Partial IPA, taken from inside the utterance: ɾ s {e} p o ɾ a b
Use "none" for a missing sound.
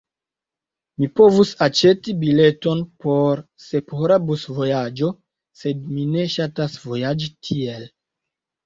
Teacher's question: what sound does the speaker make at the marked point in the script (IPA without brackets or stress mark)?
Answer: e